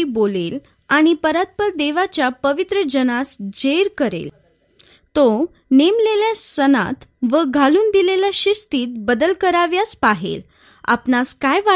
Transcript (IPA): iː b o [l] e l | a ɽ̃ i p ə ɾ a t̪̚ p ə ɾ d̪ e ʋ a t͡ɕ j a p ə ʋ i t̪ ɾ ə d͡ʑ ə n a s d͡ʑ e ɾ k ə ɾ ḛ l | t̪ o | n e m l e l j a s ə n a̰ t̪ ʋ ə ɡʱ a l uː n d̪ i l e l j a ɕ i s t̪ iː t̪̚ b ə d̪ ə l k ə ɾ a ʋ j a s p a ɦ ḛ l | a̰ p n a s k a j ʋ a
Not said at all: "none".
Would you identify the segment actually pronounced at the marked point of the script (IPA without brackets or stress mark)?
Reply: l